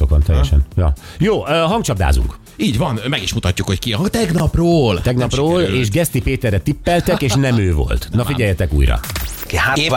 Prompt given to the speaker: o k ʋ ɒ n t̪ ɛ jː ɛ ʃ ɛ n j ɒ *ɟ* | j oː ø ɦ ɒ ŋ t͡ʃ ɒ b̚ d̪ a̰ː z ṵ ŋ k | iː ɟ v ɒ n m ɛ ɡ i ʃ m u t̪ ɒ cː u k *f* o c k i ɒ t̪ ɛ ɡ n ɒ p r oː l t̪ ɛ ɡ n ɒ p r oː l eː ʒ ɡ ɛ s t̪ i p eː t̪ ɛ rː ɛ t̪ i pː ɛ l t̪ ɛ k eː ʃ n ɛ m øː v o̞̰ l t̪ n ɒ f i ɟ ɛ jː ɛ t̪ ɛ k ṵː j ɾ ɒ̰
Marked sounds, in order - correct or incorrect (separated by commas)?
incorrect, incorrect